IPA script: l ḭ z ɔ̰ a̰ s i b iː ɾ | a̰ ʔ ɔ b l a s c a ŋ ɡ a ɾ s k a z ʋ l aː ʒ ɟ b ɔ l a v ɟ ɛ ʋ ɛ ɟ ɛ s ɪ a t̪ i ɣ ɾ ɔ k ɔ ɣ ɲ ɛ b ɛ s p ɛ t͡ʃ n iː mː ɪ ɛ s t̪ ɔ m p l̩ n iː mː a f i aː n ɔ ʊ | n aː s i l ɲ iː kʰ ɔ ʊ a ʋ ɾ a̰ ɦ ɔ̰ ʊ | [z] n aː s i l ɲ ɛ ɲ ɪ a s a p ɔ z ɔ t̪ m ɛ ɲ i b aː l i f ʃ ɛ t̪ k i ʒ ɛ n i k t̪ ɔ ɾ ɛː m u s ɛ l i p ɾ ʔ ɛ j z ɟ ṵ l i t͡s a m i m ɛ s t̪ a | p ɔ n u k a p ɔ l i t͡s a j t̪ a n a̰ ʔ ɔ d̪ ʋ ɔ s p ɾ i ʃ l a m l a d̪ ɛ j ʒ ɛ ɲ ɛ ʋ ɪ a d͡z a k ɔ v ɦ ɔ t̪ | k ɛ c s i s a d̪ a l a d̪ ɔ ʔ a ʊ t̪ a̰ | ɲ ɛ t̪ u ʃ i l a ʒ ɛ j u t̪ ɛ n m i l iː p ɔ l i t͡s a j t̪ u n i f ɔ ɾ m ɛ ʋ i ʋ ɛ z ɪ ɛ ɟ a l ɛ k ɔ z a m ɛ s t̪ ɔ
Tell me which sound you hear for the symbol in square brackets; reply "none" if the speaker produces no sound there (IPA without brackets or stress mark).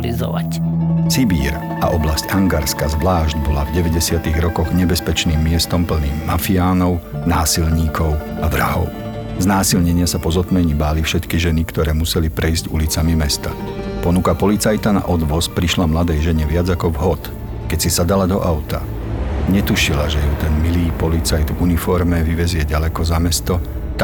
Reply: z